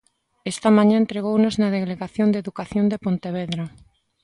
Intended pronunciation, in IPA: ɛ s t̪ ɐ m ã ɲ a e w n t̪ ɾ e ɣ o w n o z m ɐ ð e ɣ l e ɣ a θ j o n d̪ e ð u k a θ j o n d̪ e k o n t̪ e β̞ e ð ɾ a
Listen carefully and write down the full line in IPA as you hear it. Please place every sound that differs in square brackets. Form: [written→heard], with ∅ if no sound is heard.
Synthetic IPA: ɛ s t̪ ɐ m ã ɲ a e [w→∅] n t̪ ɾ e ɣ o w n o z [m→n] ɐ ð e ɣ l e ɣ a θ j o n d̪ e ð u k a θ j o n d̪ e [k→p] o n t̪ e β̞ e ð ɾ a